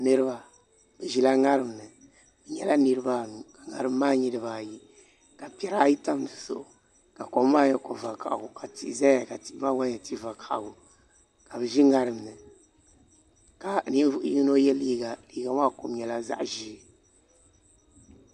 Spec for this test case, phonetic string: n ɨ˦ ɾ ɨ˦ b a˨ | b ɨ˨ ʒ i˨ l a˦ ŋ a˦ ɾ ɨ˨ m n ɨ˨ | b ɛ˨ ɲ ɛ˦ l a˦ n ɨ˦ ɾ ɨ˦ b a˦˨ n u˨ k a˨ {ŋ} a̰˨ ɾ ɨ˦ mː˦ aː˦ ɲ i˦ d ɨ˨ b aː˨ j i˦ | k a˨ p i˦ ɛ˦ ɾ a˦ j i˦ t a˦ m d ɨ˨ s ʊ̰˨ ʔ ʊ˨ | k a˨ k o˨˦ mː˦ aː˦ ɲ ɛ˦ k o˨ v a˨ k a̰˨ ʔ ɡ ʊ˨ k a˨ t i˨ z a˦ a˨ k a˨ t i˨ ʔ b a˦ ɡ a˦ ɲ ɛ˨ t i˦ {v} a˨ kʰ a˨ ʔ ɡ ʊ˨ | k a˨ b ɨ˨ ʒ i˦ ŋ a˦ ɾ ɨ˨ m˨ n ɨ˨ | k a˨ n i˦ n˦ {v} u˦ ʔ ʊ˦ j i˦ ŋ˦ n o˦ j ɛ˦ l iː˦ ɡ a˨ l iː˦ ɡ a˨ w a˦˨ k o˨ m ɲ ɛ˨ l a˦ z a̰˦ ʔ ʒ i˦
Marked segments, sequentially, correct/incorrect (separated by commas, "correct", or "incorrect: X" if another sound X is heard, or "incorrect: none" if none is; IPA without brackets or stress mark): correct, correct, correct